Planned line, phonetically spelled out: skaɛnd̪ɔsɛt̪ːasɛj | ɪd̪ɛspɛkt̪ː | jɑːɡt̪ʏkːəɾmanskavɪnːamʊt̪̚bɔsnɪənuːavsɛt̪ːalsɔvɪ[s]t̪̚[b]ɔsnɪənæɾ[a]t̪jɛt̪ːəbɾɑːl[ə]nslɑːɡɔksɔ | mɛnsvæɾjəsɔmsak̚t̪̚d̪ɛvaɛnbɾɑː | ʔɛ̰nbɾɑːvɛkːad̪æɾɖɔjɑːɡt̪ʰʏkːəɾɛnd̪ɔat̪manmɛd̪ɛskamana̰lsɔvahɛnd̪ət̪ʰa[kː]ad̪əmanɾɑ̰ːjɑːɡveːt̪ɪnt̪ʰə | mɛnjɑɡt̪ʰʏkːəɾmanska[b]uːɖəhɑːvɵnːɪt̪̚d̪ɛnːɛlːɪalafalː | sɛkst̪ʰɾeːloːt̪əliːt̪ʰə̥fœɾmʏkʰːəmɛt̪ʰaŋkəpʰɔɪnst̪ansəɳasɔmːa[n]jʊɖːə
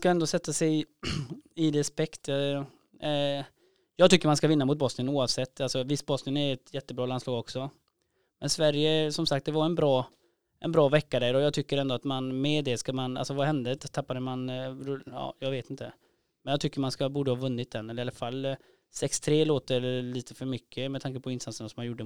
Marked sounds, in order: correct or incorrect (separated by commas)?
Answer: correct, correct, incorrect, incorrect, incorrect, correct, correct